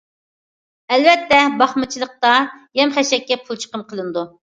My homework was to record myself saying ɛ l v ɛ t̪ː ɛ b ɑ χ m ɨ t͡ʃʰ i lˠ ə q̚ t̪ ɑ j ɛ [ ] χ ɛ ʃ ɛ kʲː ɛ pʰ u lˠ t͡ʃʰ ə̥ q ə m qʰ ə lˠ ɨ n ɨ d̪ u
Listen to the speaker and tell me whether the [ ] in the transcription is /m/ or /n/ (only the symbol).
m